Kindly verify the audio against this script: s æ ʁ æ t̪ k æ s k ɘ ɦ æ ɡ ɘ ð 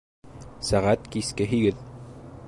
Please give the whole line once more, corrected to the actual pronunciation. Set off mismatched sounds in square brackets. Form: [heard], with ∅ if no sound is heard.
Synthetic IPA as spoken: s æ ʁ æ t̪ k [i] s k ɘ ɦ [i] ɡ ɘ ð